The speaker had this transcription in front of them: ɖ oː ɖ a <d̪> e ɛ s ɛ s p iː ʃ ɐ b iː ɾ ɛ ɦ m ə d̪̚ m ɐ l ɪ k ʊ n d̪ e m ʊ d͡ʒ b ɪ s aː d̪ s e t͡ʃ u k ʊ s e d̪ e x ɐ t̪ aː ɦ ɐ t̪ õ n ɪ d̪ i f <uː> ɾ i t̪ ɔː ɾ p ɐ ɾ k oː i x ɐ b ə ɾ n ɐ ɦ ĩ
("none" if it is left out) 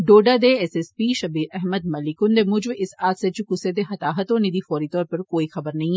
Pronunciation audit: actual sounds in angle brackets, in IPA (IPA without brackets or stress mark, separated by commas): d̪, ɔː